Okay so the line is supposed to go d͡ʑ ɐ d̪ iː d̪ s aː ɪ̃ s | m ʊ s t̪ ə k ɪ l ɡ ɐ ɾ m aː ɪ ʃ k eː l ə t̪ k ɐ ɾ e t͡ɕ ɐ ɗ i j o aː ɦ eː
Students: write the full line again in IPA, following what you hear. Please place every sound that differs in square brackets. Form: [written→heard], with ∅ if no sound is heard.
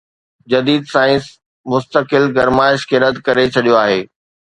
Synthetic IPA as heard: d͡ʑ ɐ d̪ iː d̪ s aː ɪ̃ s | m ʊ s t̪ ə k ɪ l ɡ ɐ ɾ m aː ɪ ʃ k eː [l→ɾ] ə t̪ k ɐ ɾ e [t͡ɕ→t͡ɕʰ] ɐ ɗ i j o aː ɦ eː

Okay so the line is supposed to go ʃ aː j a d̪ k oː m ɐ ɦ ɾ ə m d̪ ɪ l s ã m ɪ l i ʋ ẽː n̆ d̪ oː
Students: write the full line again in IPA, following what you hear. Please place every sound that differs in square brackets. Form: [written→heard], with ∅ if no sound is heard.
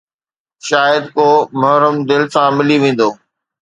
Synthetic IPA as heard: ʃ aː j [a→ə] d̪ k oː m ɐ ɦ ɾ ə m d̪ ɪ l s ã m ɪ l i ʋ ẽː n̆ d̪ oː

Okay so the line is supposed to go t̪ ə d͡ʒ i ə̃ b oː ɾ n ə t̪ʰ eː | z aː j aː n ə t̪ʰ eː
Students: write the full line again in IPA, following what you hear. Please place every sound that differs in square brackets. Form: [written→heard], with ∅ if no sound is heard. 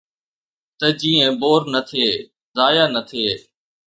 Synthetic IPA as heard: t̪ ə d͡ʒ [i→iː] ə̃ b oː ɾ n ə t̪ʰ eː | z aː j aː n ə t̪ʰ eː

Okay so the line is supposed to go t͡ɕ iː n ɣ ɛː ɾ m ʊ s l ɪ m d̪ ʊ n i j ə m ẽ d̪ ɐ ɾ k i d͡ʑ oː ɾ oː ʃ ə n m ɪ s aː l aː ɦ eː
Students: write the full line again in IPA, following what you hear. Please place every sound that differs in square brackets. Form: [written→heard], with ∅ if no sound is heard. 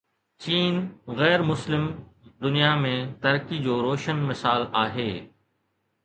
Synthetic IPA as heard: t͡ɕ iː n ɣ ɛː ɾ m ʊ s l ɪ m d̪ ʊ n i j [ə→a] m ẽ [d̪→t̪] ɐ ɾ k i d͡ʑ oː ɾ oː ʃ ə n m ɪ s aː l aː ɦ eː

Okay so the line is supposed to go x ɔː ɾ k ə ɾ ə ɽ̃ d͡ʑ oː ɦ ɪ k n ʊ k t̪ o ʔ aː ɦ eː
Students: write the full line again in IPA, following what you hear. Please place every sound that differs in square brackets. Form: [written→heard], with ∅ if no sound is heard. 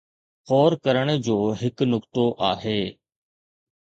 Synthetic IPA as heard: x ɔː ɾ k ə ɾ ə ɽ̃ d͡ʑ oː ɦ ɪ k n ʊ k t̪ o ʔ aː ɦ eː

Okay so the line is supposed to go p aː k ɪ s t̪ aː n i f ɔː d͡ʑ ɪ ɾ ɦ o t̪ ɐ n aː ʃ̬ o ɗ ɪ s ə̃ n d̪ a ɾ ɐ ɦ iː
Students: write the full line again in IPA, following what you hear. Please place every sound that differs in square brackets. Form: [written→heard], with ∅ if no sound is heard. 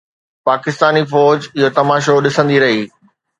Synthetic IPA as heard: p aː k ɪ s t̪ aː n i f ɔː d͡ʑ ɪ [ɾ→∅] ɦ o t̪ ɐ [n→m] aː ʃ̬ o ɗ ɪ s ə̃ n d̪ [a→i] ɾ ɐ ɦ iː

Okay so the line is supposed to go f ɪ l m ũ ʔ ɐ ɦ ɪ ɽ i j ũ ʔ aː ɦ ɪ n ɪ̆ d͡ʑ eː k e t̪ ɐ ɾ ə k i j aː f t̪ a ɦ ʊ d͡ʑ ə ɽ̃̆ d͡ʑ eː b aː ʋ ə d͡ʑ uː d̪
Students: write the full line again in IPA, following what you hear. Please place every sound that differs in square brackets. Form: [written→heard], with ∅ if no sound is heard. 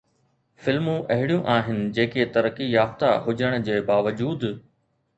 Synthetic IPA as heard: f ɪ l m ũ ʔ ɐ ɦ ɪ ɽ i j ũ ʔ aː ɦ ɪ n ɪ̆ d͡ʑ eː k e t̪ ɐ ɾ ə k i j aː f t̪ a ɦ ʊ d͡ʑ ə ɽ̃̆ d͡ʑ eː b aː ʋ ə d͡ʑ uː d̪

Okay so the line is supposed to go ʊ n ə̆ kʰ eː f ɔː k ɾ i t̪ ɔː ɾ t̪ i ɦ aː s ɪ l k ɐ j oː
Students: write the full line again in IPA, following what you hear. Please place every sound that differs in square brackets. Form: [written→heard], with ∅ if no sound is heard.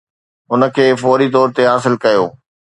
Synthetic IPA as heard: ʊ n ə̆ kʰ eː f ɔː [k→∅] ɾ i t̪ ɔː ɾ t̪ [i→e] ɦ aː s ɪ l k ɐ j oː

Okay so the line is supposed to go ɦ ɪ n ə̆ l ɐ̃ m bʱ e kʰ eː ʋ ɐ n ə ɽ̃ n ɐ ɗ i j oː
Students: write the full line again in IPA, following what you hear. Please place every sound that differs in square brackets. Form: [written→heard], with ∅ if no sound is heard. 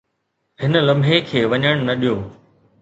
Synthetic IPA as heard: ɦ ɪ n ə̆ l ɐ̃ m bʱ e kʰ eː ʋ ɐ [n→ɲ] ə ɽ̃ n ɐ ɗ i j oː

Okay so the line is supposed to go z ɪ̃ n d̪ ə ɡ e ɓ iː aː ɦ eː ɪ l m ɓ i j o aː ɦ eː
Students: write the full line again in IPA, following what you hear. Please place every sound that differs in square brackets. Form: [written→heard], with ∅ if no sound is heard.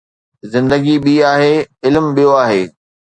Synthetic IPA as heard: z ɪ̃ n d̪ ə ɡ [e→i] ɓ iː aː ɦ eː ɪ l m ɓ i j o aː ɦ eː

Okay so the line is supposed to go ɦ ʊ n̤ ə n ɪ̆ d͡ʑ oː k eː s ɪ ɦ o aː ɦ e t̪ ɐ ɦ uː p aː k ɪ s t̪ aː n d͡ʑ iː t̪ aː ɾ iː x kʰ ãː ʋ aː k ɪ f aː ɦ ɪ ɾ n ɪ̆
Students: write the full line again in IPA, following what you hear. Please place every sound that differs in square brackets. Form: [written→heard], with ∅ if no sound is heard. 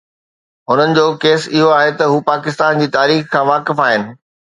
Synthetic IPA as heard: ɦ ʊ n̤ ə n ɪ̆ d͡ʑ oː k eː s ɪ ɦ o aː ɦ e t̪ ɐ ɦ uː p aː k ɪ s t̪ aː n d͡ʑ iː t̪ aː ɾ iː x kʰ ãː ʋ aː k ɪ f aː ɦ ɪ [ɾ→∅] n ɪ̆

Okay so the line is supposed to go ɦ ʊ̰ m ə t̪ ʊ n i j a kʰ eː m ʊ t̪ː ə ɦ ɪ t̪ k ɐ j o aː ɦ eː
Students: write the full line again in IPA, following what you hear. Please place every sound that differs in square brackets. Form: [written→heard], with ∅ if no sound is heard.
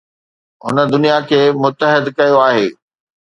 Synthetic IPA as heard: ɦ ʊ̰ [m→n] ə [t̪→d̪] ʊ n i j a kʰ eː m ʊ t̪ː ə ɦ ɪ [t̪→d̪] k ɐ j o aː ɦ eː

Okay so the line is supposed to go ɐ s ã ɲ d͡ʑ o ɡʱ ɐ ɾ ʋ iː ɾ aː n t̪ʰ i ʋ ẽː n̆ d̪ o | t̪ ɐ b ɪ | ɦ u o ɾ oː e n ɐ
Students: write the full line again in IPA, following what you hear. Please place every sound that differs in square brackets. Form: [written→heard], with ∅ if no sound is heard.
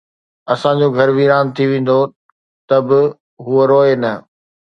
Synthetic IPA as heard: ɐ s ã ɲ d͡ʑ o ɡʱ ɐ ɾ ʋ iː ɾ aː n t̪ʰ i ʋ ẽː n̆ d̪ o | t̪ ɐ b ɪ | ɦ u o ɾ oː e n ɐ

